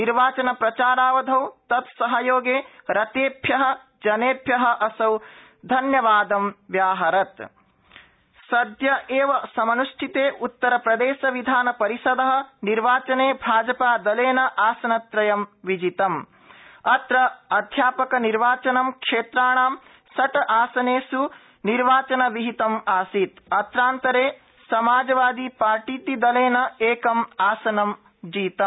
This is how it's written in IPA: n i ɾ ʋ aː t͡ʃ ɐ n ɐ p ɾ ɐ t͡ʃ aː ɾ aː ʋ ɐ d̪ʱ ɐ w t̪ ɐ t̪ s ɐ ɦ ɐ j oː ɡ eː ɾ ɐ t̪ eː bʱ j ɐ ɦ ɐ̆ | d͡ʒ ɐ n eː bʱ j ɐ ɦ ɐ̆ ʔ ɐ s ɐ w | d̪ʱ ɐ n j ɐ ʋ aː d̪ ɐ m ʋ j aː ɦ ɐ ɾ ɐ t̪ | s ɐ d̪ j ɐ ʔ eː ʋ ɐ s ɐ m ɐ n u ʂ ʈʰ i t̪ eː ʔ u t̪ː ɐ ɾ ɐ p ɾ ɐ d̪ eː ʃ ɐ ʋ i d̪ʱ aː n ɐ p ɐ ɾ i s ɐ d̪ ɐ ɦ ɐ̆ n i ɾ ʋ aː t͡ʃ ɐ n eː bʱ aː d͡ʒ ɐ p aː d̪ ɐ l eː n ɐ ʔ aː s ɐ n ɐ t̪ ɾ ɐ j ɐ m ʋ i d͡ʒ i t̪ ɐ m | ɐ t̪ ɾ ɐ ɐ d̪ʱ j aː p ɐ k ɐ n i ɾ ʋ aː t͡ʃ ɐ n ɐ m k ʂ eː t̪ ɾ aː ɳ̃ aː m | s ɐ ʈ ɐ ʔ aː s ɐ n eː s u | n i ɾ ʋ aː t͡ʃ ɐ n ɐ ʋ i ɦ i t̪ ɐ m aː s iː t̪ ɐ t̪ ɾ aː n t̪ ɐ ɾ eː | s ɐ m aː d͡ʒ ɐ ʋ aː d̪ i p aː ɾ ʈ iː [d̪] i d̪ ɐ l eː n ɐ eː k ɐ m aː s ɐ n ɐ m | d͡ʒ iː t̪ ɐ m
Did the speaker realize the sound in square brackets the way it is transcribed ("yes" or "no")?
no